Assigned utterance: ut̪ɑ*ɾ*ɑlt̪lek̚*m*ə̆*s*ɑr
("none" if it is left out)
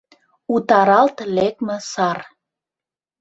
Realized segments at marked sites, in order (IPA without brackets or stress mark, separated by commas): ɾ, m, s